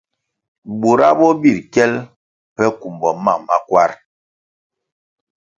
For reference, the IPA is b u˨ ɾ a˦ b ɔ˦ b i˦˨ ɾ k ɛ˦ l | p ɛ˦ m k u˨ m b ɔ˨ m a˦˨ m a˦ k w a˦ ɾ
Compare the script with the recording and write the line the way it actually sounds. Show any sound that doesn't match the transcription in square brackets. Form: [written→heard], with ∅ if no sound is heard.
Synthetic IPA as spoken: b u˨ ɾ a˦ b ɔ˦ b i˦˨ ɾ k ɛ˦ l | p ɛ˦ [m→∅] k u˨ m b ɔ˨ m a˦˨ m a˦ k w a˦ ɾ

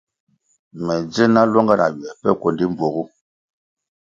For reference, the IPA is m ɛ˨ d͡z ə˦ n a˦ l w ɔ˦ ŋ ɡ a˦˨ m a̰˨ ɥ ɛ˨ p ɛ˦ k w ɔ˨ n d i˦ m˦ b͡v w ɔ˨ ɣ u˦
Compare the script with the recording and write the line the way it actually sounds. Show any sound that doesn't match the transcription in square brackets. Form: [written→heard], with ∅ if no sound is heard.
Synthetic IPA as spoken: m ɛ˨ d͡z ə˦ n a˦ l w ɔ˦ ŋ ɡ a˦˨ [m→n] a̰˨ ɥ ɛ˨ p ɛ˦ k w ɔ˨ n d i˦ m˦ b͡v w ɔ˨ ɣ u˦

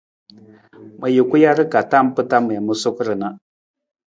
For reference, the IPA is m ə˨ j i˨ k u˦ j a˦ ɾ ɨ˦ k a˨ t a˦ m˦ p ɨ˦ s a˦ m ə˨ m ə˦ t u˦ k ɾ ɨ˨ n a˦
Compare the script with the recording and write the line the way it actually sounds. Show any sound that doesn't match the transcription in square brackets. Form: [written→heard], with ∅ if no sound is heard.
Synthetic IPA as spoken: m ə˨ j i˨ k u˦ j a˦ ɾ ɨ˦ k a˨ t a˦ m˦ p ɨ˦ [s→t] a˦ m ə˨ m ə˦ [t→s] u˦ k ɾ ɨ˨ n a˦

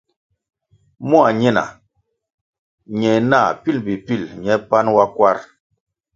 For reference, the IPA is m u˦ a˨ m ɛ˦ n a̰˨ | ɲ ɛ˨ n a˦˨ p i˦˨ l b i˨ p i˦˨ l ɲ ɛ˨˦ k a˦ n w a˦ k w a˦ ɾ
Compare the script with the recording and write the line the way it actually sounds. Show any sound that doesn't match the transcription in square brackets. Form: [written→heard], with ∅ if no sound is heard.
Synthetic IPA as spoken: m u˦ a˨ [m→ɲ] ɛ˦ n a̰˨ | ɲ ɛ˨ n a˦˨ p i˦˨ l b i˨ p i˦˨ l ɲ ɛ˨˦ [k→p] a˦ n w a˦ k w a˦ ɾ

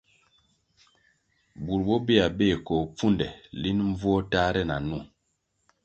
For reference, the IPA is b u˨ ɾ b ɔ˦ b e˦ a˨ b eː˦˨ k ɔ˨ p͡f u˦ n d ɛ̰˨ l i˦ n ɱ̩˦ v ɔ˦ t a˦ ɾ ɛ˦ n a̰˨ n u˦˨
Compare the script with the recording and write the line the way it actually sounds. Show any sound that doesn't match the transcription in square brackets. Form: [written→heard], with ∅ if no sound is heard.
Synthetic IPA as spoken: b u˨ ɾ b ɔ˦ b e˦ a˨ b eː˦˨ k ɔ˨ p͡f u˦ n d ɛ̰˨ l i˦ n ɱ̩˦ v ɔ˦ t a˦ ɾ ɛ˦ n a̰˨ n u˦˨

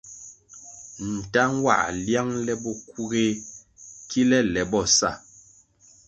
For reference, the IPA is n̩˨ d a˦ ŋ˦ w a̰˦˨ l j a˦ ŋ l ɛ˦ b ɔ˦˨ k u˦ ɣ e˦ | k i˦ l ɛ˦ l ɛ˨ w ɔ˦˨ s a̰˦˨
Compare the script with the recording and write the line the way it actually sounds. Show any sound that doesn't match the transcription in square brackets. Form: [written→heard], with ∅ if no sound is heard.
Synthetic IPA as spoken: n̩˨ [d→t] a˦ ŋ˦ w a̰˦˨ l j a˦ ŋ l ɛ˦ b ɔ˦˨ k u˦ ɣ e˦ | k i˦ l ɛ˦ l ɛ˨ [w→b] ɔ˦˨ s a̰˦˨

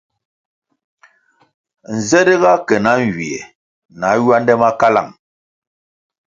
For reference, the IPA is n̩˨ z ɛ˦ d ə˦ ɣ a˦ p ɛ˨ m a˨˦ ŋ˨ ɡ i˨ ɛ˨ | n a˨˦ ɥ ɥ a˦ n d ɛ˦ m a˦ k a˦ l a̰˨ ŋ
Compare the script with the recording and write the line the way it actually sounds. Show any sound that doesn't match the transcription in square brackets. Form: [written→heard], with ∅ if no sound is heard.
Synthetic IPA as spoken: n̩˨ z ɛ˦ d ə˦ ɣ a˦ [p→k] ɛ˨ [m→n] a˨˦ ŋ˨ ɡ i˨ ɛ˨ | n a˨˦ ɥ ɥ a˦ n d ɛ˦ m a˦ k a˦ l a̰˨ ŋ

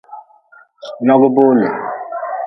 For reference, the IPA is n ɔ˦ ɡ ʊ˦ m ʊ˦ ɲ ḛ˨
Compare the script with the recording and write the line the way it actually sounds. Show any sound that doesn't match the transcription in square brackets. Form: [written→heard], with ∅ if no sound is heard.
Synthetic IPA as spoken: n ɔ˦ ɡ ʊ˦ [m→b] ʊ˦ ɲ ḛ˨

